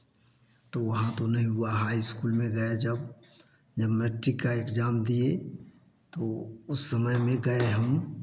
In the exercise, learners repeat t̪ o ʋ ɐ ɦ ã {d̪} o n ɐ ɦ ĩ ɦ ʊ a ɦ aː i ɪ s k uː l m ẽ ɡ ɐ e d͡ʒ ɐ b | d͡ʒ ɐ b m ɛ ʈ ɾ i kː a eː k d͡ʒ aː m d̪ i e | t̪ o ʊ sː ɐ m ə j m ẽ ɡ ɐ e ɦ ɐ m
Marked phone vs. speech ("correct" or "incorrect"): incorrect